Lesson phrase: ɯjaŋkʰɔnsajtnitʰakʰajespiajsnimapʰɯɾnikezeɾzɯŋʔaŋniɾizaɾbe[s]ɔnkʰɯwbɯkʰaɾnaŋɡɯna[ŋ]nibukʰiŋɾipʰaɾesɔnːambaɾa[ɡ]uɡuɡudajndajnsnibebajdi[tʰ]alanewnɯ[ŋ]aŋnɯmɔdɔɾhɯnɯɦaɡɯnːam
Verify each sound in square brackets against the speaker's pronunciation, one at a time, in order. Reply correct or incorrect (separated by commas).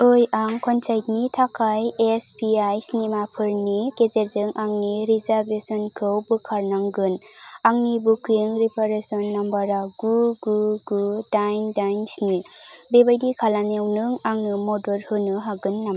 correct, correct, correct, incorrect, correct